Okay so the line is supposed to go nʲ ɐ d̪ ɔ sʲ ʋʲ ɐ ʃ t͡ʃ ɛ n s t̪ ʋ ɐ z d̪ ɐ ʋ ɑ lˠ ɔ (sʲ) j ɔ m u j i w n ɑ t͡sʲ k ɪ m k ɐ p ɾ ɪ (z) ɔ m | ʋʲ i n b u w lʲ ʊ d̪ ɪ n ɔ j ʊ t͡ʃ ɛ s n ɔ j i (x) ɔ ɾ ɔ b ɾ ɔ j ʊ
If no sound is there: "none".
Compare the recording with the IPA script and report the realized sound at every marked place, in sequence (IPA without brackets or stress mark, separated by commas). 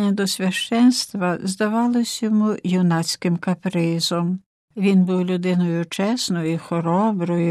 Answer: sʲ, z, x